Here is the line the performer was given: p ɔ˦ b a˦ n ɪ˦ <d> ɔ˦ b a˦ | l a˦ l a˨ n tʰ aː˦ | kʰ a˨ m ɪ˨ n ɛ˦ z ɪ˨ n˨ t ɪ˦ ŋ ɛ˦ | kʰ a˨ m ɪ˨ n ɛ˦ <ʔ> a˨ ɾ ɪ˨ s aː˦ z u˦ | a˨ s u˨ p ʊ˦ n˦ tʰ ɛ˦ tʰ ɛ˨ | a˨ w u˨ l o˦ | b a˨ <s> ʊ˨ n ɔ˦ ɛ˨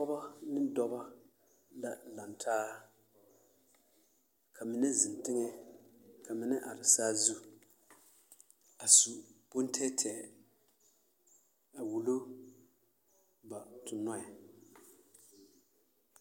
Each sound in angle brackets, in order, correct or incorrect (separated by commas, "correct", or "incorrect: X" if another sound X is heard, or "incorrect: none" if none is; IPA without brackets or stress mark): correct, correct, incorrect: t